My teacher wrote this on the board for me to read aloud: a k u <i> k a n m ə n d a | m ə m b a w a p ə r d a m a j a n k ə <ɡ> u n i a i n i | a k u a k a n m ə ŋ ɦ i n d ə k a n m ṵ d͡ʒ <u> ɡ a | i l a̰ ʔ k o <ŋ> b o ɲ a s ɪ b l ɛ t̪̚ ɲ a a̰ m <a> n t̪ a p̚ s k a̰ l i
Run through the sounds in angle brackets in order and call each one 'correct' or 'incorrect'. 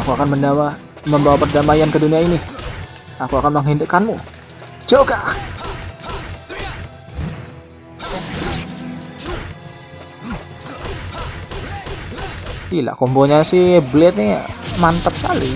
incorrect: a, incorrect: d, incorrect: o, incorrect: m, correct

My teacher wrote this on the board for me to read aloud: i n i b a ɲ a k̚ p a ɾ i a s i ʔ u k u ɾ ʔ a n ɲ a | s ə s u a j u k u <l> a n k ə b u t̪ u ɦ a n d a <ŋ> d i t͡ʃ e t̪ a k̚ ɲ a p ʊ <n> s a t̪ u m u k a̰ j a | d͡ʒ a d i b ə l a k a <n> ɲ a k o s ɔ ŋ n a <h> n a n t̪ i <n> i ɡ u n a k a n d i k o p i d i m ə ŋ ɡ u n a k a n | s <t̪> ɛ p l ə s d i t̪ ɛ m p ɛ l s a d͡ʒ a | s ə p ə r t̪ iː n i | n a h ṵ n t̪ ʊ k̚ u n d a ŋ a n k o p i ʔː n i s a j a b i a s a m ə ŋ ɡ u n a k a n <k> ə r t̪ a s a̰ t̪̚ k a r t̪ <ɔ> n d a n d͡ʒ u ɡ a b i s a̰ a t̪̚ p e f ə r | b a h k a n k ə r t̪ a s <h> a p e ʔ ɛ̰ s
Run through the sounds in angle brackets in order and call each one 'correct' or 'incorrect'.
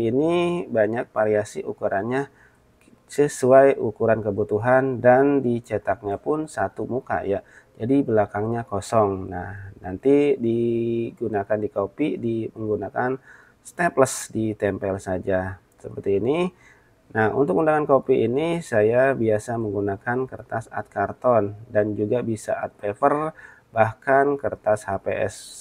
incorrect: ɾ, incorrect: n, correct, incorrect: ŋ, correct, incorrect: d, correct, correct, correct, correct

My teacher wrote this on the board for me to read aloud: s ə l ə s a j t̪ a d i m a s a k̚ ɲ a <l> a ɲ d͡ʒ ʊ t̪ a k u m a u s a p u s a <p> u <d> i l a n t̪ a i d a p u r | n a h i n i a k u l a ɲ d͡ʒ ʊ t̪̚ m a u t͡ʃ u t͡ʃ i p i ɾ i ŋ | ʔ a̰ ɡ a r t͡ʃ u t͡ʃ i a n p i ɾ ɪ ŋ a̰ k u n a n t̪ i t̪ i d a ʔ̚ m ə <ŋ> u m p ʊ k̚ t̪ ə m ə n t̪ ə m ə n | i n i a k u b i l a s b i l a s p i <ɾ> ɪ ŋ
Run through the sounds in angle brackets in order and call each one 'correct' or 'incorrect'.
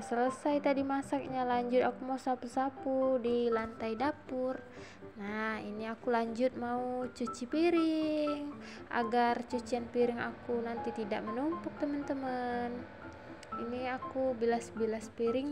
correct, correct, correct, incorrect: n, correct

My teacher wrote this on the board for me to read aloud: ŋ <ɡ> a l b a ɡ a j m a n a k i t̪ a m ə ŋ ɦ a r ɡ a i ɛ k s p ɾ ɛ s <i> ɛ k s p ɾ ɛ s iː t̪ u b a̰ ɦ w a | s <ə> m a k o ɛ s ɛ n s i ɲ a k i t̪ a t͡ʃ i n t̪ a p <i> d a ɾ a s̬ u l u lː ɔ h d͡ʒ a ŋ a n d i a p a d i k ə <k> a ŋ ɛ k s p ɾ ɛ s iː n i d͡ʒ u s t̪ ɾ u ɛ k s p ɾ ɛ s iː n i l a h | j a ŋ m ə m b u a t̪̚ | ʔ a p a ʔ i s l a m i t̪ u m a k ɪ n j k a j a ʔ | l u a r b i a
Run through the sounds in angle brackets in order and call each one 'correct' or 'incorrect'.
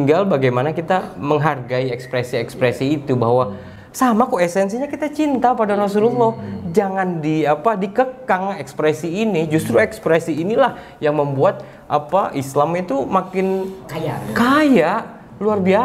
correct, correct, incorrect: a, incorrect: a, correct

